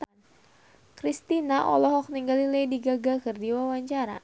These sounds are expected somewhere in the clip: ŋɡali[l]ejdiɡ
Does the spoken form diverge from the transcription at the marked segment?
no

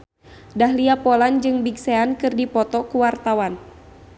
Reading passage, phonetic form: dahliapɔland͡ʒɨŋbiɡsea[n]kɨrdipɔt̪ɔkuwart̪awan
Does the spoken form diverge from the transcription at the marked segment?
no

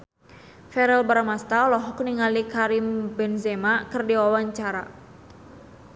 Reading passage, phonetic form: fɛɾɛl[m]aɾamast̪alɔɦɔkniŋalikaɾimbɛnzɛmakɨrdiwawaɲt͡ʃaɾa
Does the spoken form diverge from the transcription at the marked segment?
yes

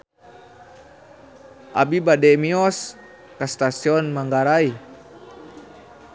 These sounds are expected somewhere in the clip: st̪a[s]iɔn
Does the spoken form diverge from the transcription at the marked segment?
no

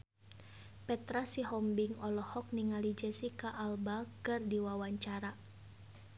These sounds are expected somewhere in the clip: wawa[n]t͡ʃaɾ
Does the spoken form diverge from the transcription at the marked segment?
yes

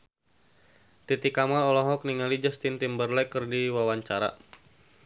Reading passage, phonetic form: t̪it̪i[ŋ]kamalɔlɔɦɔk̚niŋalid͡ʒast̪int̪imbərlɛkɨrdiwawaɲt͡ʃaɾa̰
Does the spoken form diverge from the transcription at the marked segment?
yes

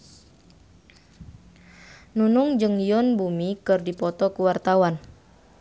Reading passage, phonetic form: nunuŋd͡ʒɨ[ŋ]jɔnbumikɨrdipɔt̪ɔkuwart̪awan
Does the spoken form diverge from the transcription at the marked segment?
no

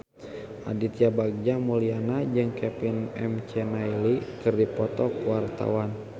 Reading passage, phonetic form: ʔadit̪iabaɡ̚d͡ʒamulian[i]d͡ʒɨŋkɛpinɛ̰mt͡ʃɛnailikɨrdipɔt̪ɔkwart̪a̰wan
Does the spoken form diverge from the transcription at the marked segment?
yes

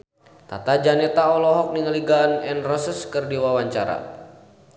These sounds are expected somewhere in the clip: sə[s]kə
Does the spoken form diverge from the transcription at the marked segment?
no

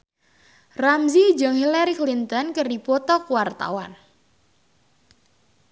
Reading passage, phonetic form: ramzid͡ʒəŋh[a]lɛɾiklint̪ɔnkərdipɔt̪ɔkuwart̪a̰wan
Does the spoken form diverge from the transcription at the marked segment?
yes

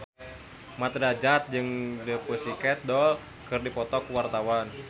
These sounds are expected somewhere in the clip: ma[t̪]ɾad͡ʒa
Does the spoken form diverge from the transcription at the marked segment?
no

